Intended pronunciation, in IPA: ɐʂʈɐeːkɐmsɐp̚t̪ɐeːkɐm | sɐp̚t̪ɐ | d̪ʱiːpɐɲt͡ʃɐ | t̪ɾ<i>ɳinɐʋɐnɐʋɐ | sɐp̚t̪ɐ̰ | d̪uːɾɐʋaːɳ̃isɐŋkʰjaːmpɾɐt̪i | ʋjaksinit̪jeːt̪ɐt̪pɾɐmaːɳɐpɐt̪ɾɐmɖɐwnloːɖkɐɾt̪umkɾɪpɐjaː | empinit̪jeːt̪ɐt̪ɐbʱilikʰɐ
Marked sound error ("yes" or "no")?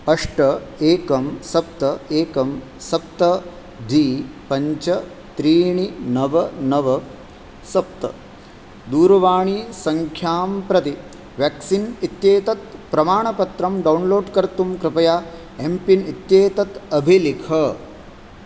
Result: yes